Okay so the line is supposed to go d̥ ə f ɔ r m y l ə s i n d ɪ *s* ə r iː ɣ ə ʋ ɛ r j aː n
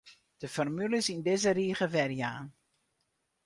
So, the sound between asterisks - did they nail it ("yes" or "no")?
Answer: no